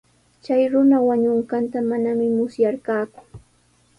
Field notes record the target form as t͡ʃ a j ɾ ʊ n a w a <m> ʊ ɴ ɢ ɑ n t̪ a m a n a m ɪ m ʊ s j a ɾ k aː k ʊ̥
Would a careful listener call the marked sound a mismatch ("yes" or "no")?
yes